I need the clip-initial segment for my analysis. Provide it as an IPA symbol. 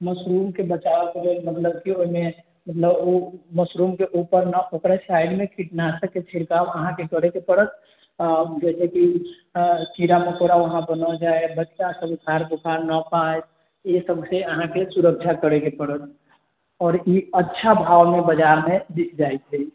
m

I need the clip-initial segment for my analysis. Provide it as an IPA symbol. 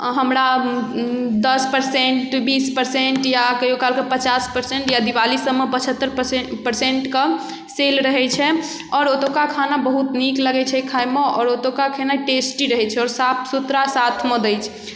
ɦ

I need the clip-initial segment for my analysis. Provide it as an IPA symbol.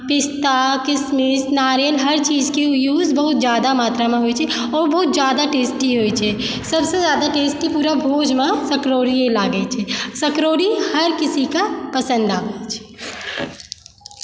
p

